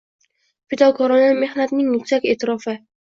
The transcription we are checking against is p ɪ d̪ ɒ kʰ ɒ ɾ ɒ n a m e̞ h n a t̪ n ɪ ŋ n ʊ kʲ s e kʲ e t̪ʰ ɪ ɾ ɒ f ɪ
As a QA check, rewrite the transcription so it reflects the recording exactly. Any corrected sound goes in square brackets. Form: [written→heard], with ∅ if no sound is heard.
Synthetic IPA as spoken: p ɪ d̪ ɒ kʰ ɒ ɾ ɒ n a m e̞ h n a t̪ n ɪ ŋ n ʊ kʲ s [e→a] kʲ e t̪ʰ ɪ ɾ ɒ f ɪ